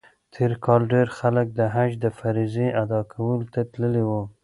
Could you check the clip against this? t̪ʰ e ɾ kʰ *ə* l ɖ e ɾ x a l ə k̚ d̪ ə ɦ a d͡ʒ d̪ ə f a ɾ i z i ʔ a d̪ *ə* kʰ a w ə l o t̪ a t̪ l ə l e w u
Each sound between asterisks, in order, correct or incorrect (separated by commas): incorrect, incorrect